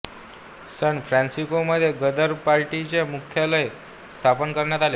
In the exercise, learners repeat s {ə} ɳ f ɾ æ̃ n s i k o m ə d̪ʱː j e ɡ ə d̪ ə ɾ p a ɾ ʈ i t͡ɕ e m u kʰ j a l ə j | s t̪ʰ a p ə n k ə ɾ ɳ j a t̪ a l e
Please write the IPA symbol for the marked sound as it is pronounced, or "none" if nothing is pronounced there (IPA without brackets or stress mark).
ə